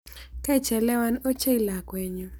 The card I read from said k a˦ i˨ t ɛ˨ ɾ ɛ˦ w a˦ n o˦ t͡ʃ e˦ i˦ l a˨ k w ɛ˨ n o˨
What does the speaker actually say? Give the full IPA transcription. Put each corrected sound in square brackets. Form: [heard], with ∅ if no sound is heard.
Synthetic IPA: k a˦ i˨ [t͡ʃ] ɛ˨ [l] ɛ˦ w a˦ n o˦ t͡ʃ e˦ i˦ l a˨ k w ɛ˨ [ɲ] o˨

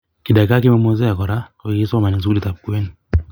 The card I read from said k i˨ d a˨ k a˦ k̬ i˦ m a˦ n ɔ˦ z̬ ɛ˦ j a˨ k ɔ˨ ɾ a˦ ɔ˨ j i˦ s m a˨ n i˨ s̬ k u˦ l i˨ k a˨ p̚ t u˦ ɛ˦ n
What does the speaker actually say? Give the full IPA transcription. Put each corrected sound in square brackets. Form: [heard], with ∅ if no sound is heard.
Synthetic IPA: k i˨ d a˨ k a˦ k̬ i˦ m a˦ [m] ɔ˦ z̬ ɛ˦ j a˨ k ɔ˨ ɾ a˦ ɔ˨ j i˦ s m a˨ n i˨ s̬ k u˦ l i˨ [t] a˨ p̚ [k] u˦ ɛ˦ n

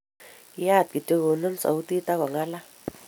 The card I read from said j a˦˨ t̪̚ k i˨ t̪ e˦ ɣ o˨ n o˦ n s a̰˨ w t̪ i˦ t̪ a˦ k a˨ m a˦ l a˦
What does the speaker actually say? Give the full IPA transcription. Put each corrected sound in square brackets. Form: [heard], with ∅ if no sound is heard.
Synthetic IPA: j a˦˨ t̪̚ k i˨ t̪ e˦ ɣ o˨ n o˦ n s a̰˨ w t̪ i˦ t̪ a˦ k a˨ [ŋ] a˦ l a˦

